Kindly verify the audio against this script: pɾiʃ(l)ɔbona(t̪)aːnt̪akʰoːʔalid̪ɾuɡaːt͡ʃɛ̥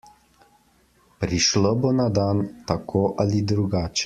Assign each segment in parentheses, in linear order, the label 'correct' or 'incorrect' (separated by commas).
correct, incorrect